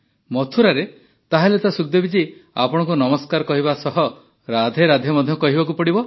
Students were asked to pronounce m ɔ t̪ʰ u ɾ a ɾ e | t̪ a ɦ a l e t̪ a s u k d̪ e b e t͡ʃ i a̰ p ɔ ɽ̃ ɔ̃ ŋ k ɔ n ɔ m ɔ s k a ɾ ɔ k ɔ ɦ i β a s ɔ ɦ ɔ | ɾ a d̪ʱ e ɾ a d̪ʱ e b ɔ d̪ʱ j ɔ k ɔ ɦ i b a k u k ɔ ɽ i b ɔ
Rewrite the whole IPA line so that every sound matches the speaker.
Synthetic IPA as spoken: m ɔ t̪ʰ u ɾ a ɾ e | t̪ a ɦ a l e t̪ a s u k d̪ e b i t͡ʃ i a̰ p ɔ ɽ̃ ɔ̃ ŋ k u n ɔ m ɔ s k a ɾ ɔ k ɔ ɦ i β a s ɔ ɦ ɔ | ɾ a d̪ʱ e ɾ a d̪ʱ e m ɔ d̪ʱ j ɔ k ɔ ɦ i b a k u p ɔ ɽ i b ɔ